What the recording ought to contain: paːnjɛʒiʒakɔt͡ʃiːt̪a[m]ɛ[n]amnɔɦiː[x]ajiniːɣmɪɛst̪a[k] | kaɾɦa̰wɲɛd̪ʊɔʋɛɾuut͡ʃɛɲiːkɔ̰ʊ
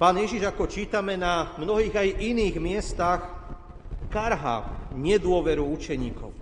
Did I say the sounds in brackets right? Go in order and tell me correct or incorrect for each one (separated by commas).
correct, correct, incorrect, incorrect